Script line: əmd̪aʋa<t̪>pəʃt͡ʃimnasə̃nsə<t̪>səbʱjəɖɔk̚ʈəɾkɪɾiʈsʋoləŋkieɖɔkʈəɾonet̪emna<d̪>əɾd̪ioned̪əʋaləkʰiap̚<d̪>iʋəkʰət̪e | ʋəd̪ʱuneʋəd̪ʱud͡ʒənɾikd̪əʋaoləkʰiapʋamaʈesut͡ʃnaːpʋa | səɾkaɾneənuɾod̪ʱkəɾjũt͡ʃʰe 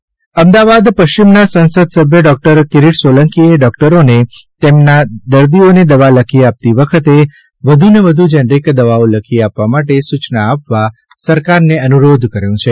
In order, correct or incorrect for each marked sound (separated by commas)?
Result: incorrect, incorrect, correct, incorrect